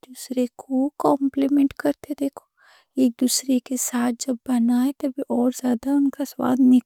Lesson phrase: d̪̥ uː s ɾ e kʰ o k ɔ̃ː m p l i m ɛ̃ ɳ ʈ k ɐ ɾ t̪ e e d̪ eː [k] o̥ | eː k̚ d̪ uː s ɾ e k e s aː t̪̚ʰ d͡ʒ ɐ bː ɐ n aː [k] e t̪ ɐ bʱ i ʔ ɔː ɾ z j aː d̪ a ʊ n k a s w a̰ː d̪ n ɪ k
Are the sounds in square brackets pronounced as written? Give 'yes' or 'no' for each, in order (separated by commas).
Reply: no, no